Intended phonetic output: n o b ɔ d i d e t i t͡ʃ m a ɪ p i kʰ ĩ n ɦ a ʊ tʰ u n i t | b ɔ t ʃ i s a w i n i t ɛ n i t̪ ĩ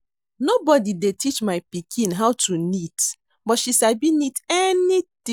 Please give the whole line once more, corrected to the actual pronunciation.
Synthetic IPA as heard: n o b ɔ d i d e t i t͡ʃ m a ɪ p i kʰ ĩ n ɦ a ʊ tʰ u n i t | b ɔ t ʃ i s a b i n i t ɛ n i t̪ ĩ